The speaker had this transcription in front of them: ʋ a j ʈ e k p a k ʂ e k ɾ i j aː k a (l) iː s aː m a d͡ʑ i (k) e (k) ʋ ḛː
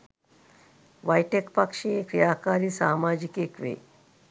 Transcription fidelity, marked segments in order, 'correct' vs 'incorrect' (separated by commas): incorrect, correct, correct